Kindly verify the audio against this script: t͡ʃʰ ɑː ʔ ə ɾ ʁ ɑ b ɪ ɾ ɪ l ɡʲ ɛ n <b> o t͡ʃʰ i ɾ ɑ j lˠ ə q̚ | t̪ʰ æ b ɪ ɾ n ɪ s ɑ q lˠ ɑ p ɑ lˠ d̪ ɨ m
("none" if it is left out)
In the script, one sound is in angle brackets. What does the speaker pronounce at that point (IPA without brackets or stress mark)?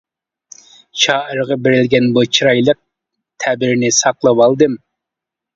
b